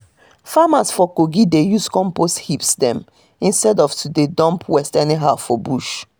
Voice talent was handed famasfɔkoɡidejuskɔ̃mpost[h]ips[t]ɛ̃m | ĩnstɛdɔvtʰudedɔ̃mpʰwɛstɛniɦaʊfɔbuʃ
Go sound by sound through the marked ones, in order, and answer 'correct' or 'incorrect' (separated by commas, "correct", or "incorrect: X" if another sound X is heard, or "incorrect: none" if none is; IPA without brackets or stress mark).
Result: correct, incorrect: d